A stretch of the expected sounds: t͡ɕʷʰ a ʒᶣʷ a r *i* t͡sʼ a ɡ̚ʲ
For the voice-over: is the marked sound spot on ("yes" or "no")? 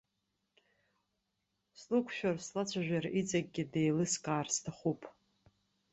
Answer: yes